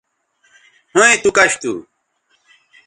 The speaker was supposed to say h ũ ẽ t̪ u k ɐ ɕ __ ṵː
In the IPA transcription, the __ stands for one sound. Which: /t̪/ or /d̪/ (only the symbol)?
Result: t̪